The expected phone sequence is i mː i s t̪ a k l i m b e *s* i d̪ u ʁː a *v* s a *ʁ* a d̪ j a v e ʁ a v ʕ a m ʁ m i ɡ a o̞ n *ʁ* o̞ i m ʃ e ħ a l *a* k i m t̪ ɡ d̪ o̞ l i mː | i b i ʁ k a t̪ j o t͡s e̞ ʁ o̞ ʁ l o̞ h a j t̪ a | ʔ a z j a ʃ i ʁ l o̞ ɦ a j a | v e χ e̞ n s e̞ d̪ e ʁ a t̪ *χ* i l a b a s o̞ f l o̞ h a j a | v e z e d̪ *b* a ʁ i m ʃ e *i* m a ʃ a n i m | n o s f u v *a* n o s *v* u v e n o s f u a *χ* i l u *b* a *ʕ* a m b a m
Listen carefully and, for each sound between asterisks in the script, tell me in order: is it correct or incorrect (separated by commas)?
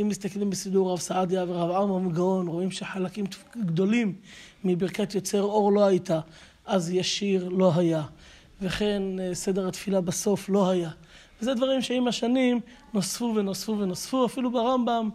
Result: correct, correct, incorrect, correct, correct, incorrect, incorrect, correct, incorrect, incorrect, incorrect, correct, incorrect